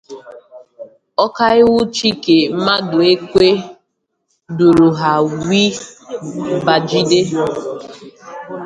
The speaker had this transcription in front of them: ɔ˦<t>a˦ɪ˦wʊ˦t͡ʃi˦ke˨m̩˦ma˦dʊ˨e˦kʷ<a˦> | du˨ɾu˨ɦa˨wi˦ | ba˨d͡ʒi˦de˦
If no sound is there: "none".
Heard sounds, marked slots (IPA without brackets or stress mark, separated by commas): k, e˦